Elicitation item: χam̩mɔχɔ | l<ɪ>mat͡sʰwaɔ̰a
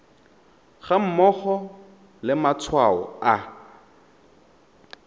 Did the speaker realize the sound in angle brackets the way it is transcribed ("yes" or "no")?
yes